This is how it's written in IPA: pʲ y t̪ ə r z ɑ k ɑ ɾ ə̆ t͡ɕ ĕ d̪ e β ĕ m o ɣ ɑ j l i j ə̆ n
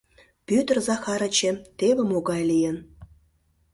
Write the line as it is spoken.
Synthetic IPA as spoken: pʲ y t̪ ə r z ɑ x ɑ ɾ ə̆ t͡ɕ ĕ t̪ e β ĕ m o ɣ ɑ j l i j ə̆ n